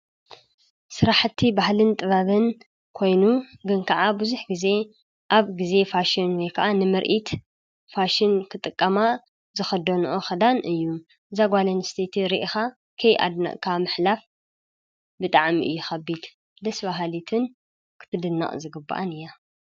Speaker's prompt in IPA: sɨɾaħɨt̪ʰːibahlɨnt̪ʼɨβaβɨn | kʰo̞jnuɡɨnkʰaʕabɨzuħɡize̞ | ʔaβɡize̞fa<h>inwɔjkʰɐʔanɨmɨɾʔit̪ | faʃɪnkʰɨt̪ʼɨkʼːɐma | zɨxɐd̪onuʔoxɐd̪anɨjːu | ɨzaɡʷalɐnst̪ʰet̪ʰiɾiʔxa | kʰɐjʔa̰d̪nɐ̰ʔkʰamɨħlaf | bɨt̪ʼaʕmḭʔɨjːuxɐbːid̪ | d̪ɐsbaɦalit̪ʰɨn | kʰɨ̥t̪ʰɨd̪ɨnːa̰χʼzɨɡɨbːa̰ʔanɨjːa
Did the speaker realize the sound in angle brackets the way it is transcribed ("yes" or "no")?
no